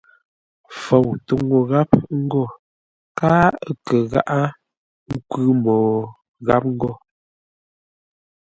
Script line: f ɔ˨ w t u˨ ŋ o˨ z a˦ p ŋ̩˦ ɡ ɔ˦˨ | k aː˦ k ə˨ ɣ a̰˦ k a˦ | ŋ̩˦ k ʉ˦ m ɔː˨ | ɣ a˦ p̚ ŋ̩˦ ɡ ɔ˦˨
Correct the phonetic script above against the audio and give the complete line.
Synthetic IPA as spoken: f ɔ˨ w t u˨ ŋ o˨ ɣ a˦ p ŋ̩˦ ɡ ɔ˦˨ | k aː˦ k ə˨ ɣ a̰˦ ʔ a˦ | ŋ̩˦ k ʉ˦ m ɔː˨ | ɣ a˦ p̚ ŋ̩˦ ɡ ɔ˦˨